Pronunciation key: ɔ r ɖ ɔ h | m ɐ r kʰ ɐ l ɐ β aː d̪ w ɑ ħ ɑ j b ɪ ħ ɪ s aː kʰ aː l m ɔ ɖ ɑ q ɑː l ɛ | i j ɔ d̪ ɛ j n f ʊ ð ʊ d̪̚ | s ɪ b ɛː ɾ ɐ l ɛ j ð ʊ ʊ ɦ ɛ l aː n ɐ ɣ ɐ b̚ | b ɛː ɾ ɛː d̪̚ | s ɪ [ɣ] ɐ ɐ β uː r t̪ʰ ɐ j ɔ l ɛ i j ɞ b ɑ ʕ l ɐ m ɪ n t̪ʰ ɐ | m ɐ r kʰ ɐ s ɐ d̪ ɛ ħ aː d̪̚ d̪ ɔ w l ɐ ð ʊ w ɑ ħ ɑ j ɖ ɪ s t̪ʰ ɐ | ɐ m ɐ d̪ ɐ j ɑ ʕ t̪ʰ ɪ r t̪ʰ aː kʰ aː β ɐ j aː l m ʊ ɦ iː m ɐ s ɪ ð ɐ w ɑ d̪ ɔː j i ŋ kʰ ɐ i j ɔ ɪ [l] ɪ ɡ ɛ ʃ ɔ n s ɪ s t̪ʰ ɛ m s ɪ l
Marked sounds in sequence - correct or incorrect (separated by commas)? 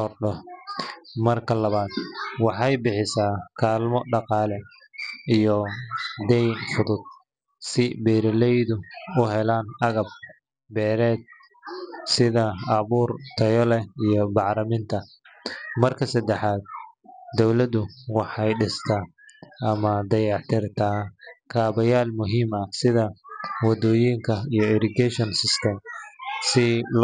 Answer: incorrect, incorrect